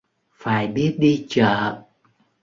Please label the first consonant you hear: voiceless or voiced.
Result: voiceless